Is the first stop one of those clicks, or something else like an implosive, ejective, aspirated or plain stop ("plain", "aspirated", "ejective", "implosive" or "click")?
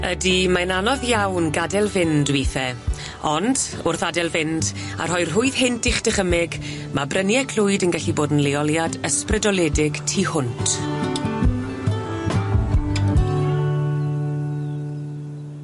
plain